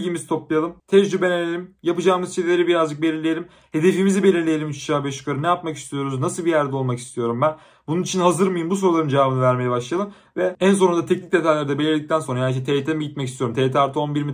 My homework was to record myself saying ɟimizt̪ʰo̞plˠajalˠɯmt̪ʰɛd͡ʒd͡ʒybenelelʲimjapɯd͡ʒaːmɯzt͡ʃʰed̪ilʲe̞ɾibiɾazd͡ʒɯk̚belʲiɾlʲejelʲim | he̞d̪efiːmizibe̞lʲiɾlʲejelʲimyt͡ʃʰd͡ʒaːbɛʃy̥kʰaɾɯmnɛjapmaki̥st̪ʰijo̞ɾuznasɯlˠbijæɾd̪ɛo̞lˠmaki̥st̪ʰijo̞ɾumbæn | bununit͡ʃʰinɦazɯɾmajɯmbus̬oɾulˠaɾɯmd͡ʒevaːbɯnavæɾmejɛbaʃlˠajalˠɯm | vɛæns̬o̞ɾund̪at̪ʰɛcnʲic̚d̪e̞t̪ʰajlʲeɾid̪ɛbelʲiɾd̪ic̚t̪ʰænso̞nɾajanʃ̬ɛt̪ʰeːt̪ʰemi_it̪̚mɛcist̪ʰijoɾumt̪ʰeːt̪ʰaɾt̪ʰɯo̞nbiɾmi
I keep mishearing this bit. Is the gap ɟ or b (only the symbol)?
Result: ɟ